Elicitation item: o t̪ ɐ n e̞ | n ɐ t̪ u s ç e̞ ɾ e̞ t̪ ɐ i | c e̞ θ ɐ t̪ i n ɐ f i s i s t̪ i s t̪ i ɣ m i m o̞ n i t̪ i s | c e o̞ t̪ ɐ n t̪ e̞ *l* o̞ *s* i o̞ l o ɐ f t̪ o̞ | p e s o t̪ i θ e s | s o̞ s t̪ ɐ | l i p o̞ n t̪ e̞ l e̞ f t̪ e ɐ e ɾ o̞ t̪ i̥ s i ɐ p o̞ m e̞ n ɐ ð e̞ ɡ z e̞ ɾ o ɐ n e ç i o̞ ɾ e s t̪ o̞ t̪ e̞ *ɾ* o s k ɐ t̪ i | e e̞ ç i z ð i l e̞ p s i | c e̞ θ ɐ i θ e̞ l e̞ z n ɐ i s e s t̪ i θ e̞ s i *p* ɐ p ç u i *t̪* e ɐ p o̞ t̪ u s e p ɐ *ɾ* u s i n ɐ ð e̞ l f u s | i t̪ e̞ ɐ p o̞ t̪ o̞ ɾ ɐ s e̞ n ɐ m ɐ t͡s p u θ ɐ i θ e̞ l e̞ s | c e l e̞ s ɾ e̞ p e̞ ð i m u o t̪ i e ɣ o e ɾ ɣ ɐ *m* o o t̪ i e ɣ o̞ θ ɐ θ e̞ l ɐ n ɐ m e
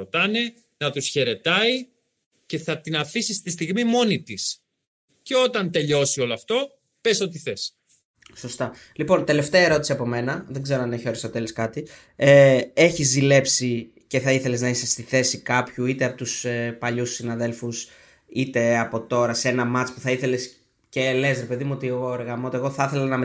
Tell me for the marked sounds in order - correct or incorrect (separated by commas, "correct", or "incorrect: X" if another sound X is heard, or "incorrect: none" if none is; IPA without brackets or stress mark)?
incorrect: ʎ, correct, incorrect: l, incorrect: k, correct, incorrect: ʎ, correct